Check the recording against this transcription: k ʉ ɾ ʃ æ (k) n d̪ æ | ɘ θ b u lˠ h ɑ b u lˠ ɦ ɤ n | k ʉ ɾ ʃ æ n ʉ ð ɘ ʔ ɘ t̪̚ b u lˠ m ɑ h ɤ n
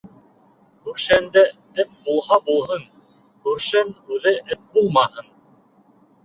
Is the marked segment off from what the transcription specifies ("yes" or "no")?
yes